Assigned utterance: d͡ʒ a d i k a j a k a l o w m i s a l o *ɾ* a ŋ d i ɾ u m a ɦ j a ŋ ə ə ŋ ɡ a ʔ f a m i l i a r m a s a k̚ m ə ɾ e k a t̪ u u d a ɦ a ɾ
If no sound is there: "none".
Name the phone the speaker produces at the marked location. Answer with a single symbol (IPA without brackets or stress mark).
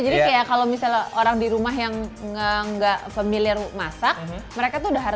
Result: ɾ